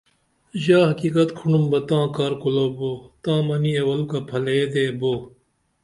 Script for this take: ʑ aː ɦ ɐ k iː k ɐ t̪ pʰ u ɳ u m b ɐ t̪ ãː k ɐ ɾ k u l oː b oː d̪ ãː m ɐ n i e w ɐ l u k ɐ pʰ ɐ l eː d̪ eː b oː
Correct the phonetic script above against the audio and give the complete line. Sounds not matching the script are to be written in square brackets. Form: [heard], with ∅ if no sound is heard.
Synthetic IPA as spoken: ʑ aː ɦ ɐ k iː k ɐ t̪ [kʰ] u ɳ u m b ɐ t̪ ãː k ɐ ɾ k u l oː b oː [t̪] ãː m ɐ n i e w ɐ l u k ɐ pʰ ɐ l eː d̪ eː b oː